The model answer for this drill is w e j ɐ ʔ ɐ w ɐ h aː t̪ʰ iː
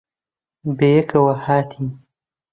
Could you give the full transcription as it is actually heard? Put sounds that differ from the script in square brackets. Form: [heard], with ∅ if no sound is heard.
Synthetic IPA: [b] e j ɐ [k] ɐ w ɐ h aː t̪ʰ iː